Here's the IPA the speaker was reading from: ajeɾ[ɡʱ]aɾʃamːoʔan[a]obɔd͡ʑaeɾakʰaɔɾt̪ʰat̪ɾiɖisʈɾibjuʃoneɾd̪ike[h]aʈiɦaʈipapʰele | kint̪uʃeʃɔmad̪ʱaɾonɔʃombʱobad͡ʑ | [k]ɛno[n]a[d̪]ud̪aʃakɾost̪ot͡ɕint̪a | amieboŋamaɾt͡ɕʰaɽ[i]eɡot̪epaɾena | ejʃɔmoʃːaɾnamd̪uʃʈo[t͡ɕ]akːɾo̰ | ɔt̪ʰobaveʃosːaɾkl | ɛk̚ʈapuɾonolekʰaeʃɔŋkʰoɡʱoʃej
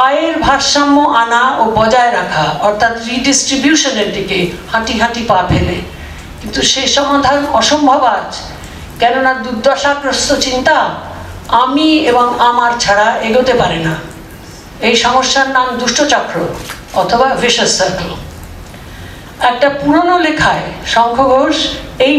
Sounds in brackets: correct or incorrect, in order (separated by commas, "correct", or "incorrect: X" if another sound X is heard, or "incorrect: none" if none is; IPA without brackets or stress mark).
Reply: incorrect: bʱ, correct, correct, correct, correct, correct, incorrect: a, correct